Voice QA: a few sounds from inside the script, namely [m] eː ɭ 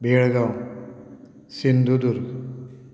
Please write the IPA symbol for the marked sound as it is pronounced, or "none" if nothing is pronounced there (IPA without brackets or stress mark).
b